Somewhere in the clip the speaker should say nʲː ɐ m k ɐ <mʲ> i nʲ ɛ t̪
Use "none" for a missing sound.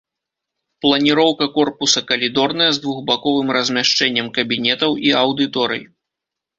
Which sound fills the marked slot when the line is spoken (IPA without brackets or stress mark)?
bʲ